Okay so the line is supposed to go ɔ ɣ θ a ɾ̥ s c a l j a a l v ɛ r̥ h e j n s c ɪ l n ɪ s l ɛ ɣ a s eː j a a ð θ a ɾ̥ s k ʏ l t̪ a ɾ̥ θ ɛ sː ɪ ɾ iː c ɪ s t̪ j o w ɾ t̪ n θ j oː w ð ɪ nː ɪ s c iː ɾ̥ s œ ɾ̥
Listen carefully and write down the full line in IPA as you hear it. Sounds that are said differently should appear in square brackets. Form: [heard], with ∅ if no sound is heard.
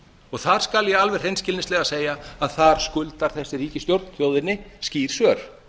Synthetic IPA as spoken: ɔ ɣ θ a ɾ̥ s [k] a l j [ɛ] a l v ɛ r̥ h e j n s c ɪ l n ɪ s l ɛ ɣ a s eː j a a ð θ a ɾ̥ s k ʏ l t̪ a ɾ̥ θ ɛ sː ɪ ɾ iː c ɪ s t̪ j o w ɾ t̪ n θ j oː w ð ɪ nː ɪ s c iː ɾ̥ s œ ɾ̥